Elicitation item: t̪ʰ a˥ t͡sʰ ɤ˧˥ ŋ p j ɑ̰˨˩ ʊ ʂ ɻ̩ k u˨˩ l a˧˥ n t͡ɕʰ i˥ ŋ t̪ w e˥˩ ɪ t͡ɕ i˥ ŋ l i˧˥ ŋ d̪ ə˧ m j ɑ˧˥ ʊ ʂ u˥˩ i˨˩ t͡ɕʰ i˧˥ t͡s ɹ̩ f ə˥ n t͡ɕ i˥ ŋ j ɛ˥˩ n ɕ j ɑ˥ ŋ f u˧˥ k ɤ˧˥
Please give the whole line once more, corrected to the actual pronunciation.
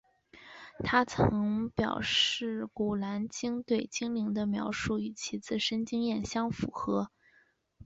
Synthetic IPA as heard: t̪ʰ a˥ t͡sʰ ɤ˧˥ ŋ p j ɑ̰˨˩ ʊ ʂ ɻ̩ k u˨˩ l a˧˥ n t͡ɕ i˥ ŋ t̪ w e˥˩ ɪ t͡ɕ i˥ ŋ l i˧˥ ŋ d̪ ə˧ m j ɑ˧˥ ʊ ʂ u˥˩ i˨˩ t͡ɕʰ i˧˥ t͡s ɹ̩ ʂ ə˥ n t͡ɕ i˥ ŋ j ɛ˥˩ n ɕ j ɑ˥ ŋ f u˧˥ x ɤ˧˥